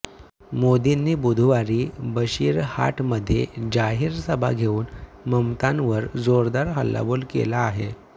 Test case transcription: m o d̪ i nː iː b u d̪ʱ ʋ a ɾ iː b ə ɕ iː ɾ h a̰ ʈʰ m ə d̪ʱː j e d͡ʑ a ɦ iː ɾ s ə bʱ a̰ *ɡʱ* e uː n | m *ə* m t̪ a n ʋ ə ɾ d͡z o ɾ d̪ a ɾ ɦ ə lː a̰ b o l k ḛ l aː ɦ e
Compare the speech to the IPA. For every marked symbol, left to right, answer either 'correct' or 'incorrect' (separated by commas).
correct, correct